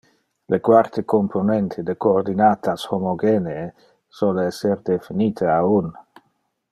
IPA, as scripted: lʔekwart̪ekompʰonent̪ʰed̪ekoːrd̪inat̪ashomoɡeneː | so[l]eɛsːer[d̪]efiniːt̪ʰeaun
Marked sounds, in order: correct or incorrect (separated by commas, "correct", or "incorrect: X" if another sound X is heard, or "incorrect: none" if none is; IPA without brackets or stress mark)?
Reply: correct, correct